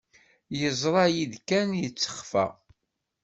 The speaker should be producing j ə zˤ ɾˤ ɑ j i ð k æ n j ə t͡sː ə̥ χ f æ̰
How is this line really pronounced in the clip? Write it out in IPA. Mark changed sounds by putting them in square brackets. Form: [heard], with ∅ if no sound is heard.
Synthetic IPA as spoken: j ə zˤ ɾˤ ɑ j i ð k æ n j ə t͡sː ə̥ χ f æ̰